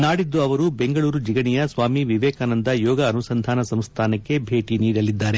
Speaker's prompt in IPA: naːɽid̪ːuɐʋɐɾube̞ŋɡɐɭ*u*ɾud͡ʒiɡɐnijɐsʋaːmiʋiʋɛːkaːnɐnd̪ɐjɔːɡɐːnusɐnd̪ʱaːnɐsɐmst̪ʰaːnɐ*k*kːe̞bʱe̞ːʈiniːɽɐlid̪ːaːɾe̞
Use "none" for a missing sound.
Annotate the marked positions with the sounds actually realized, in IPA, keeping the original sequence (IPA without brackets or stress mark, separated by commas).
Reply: uː, k